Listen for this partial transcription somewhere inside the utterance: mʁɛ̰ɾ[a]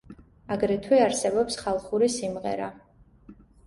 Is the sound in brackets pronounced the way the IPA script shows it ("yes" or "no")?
yes